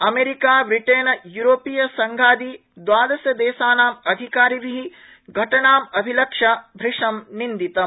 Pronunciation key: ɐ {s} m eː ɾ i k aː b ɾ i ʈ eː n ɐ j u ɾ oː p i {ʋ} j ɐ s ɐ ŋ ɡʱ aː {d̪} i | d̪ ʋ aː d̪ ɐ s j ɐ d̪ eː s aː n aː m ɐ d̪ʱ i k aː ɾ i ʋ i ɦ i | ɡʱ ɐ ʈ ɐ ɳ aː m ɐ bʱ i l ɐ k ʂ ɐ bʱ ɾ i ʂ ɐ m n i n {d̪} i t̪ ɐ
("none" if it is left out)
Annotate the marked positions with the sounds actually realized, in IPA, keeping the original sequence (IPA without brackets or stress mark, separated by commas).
none, none, d̪, d̪